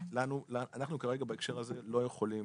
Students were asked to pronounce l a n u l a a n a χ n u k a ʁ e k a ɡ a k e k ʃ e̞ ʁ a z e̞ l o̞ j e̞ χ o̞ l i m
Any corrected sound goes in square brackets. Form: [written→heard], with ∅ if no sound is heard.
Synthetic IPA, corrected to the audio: l a n u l a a n a χ n u k a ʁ e [k→ɡ] a [ɡ→b] a [k→∅] e k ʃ e̞ ʁ a z e̞ l o̞ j e̞ χ o̞ l i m